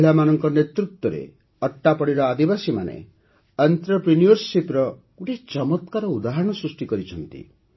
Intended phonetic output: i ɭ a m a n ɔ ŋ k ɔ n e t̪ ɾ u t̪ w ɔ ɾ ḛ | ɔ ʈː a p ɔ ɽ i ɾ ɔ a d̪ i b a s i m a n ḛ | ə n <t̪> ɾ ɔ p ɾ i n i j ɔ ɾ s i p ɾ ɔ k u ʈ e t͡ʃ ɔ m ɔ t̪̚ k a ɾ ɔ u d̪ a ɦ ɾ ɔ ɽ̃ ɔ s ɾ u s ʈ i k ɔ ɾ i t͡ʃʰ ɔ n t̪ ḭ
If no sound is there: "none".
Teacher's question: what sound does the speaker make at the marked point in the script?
t̪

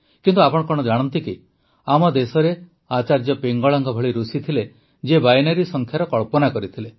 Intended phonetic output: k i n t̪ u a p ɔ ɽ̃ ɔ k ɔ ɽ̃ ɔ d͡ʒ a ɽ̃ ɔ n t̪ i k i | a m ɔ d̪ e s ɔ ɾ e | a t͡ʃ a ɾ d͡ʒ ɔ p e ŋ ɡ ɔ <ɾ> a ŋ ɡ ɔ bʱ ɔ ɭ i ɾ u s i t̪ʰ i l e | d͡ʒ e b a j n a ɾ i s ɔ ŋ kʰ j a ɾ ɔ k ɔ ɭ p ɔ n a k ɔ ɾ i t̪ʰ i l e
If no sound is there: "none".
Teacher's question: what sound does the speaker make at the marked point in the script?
ɭ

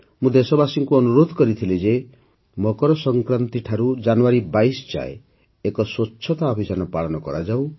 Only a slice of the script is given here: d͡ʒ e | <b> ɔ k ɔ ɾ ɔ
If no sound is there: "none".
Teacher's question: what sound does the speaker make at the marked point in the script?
m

